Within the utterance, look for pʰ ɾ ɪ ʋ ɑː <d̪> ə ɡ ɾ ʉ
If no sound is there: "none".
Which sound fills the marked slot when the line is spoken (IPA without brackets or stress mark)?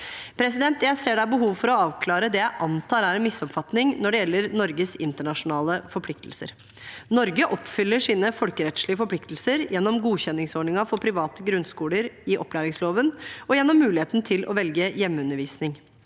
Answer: t̪